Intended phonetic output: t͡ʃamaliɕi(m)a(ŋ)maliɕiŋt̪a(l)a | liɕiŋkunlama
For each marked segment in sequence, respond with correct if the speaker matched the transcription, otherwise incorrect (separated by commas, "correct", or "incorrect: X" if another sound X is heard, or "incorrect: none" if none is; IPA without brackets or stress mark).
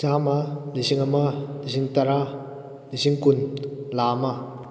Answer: incorrect: ŋ, incorrect: none, incorrect: ɾ